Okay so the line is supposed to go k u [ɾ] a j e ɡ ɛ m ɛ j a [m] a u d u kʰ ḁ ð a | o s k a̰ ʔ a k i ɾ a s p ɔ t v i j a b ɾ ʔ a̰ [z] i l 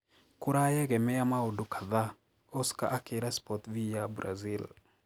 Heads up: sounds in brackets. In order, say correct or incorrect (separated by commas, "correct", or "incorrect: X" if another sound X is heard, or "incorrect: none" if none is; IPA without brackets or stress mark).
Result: correct, correct, correct